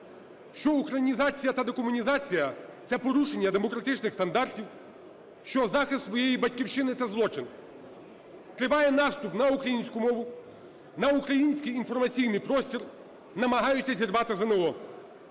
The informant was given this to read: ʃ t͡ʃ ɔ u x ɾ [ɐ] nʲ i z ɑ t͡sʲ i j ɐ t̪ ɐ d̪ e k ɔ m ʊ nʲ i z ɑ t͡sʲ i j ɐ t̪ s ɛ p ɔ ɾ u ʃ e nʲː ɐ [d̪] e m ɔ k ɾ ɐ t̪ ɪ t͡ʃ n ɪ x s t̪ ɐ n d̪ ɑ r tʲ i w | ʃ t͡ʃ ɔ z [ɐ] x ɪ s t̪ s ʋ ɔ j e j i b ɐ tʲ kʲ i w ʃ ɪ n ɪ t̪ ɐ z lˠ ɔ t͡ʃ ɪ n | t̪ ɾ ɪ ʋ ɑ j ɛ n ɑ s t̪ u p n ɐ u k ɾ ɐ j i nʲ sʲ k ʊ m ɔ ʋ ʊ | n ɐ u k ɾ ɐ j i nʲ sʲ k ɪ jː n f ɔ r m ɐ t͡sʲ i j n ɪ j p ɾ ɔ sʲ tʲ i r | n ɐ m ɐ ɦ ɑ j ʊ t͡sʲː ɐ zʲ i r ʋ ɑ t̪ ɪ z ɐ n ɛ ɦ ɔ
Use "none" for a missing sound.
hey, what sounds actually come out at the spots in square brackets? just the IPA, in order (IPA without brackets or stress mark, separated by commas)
ɐ, d̪, ɑ